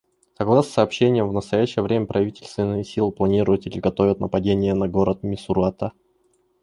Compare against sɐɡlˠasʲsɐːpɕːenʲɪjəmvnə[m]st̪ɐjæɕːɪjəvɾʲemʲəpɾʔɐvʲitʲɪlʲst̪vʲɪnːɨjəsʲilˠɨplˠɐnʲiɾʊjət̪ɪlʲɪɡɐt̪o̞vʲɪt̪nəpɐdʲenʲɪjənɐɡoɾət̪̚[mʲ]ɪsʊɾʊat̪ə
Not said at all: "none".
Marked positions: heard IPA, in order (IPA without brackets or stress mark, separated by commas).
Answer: none, mʲ